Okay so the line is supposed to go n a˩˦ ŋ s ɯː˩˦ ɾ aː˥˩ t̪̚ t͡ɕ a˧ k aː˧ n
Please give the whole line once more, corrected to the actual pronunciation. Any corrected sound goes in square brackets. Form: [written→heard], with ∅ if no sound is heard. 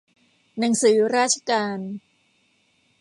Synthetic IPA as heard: n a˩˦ ŋ s ɯː˩˦ ɾ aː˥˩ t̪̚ [t͡ɕ→t͡ɕʰ] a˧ k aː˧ n